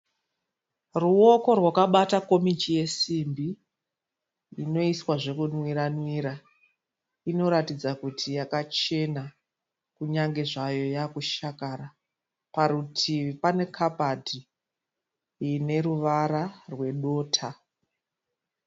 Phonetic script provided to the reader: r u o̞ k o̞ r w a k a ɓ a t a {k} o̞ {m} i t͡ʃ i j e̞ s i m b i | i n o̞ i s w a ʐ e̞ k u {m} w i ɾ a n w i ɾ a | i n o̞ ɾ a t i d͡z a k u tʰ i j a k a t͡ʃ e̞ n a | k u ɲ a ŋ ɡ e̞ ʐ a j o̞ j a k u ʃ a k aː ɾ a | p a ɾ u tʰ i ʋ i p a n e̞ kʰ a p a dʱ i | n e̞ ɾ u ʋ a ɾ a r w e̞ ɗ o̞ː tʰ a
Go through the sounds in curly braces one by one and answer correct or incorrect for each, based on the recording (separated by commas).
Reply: correct, correct, incorrect